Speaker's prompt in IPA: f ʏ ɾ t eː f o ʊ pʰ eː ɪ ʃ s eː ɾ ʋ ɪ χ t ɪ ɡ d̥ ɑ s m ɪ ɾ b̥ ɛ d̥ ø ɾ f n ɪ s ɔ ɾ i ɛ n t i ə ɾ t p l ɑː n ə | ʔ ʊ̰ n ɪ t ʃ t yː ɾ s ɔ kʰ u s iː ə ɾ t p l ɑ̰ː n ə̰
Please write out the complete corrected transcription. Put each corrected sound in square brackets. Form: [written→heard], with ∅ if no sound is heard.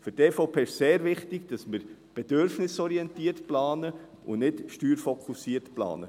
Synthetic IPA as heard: f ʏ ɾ t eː f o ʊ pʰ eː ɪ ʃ s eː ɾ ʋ ɪ χ t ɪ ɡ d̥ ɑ s m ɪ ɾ b̥ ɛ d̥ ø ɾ f n ɪ s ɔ ɾ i ɛ n t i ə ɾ t p l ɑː n ə | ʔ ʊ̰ n ɪ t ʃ t yː ɾ [s→f] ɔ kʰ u s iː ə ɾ t p l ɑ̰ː n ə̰